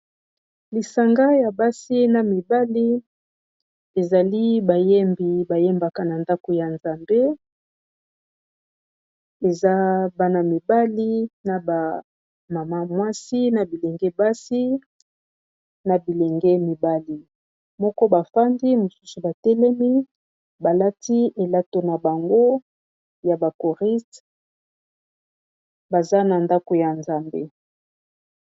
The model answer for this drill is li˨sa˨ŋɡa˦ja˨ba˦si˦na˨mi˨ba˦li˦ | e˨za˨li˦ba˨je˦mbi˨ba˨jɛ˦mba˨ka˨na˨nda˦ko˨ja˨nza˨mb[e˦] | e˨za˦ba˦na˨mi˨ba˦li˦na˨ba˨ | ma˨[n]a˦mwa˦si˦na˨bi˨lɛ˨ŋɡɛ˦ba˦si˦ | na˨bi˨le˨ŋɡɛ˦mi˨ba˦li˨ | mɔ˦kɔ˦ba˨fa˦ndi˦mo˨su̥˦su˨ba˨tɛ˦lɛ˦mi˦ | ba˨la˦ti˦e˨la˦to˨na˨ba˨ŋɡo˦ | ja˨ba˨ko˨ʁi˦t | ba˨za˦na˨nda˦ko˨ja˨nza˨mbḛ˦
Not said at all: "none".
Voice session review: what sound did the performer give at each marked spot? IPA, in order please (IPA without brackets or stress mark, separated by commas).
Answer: e˦, m